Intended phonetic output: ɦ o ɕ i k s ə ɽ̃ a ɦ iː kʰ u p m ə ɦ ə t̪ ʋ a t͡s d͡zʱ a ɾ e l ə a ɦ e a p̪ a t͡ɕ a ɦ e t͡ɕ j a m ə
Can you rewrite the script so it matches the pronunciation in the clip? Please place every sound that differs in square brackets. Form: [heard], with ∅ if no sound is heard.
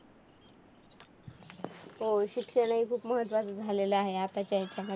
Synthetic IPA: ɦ o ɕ i k [ʂ] ə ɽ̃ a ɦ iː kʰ [uː] p m ə ɦ ə t̪ ʋ a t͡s d͡zʱ a [l] e l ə a ɦ e a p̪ a t͡ɕ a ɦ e t͡ɕ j a m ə

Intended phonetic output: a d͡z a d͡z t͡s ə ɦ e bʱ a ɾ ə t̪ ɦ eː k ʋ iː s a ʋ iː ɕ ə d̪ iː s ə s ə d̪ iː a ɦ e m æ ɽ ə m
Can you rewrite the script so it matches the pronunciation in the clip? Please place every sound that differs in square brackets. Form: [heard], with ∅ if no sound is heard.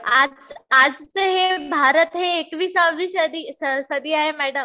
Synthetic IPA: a d͡z a d͡z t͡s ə ɦ e bʱ a ɾ ə t̪ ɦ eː k ʋ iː s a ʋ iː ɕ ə d̪ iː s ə s ə d̪ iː a ɦ e m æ ɽ ə m

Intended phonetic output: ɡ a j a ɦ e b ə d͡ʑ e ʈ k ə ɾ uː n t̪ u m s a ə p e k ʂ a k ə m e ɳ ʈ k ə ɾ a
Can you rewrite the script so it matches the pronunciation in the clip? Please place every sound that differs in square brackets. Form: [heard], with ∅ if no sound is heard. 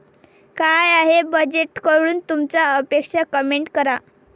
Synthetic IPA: [k] a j a ɦ e b ə d͡ʑ e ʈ k ə ɾ uː n t̪ u m [t͡s] a ə p e k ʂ a k ə m e ɳ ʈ k ə ɾ a

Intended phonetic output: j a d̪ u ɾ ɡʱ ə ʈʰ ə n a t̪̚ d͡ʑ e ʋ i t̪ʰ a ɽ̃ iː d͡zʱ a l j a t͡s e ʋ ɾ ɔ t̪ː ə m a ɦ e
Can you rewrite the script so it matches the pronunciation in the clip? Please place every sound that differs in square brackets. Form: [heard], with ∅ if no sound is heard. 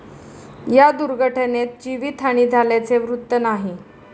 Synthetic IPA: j a d̪ u ɾ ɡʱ ə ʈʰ ə n [e] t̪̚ d͡ʑ [i] ʋ i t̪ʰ a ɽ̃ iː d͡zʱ a l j a t͡s e ʋ ɾ [u] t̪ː ə [n] a ɦ [i]

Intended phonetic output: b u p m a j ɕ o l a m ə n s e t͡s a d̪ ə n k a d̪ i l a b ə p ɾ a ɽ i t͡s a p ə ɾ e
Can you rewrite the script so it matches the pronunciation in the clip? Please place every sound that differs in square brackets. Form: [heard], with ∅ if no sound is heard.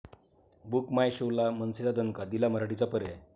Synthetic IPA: b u [k] m a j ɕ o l a m ə n s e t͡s a d̪ ə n k a d̪ i l a [m] ə [∅] ɾ a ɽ i t͡s a p ə ɾ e

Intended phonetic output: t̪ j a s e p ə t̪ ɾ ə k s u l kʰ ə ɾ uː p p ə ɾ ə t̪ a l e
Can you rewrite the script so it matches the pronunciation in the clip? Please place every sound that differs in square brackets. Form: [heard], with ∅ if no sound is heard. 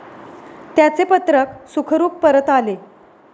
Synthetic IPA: t̪ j a [t͡s] e p ə t̪ ɾ ə k s u [∅] kʰ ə ɾ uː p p ə ɾ ə t̪ a l e

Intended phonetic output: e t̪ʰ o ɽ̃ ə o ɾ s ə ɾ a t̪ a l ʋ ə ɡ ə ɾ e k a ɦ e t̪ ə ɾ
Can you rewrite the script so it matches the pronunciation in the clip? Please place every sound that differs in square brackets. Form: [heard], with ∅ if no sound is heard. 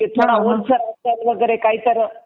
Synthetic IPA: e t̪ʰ o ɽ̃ [a] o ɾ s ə ɾ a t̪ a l ʋ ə ɡ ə ɾ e k a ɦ [i] t̪ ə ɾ

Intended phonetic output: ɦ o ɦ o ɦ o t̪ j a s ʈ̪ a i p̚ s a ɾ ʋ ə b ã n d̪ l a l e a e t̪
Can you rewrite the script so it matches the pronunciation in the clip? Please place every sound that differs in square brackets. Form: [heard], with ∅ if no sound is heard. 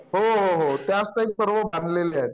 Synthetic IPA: ɦ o ɦ o ɦ o t̪ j a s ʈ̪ a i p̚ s [ə] ɾ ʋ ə b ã n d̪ l [e] l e a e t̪

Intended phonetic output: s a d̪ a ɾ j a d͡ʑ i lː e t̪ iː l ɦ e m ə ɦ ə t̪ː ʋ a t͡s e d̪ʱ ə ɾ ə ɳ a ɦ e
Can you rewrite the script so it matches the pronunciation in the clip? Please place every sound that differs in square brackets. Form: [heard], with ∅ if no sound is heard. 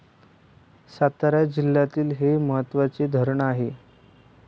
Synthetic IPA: s a [t̪] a ɾ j a d͡ʑ i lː [a] t̪ iː l ɦ e m ə ɦ ə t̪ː ʋ a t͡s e d̪ʱ ə ɾ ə ɳ a ɦ e

